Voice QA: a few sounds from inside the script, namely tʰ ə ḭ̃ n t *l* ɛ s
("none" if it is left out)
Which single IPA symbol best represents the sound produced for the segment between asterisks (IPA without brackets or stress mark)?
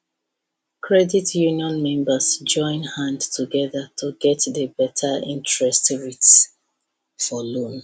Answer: ɹ